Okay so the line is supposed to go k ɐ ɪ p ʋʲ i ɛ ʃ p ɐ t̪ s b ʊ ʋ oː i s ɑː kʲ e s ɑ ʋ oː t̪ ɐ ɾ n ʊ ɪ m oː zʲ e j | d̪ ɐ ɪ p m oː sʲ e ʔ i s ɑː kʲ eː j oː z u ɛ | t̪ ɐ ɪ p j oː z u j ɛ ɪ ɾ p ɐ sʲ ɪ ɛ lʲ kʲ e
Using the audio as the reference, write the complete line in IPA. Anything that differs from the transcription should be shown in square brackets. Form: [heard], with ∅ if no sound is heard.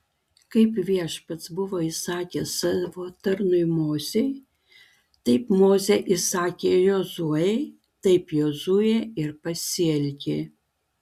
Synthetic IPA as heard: k ɐ ɪ p ʋʲ i ɛ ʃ p ɐ t̪ s b ʊ ʋ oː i s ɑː kʲ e s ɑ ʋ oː t̪ ɐ ɾ n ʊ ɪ m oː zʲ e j | [t̪] ɐ ɪ p m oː [zʲ] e ʔ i s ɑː kʲ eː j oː z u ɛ | t̪ ɐ ɪ p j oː z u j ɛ ɪ ɾ p ɐ sʲ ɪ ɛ lʲ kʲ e